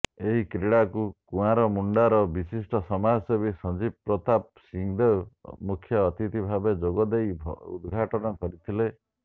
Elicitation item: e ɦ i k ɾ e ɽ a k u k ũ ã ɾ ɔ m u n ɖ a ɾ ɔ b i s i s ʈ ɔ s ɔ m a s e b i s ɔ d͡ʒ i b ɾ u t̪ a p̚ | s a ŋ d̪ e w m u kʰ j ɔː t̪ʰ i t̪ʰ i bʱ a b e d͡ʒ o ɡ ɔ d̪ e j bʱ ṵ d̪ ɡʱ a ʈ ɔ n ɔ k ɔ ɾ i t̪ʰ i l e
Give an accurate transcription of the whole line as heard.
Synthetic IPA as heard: e ɦ i k ɾ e ɽ a k u k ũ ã ɾ ɔ m u ɳ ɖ a ɾ ɔ b i s i s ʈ ɔ s ɔ m a s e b i s ɔ d͡ʒ i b ɾ ɔ t̪ a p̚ | s i ŋ d̪ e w m u kʰ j ɔː t̪ i t̪ i bʱ a b e d͡ʒ o ɡ ɔ d̪ e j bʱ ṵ d̪ ɡʱ a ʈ ɔ n ɔ k ɔ ɾ i t̪ʰ i l e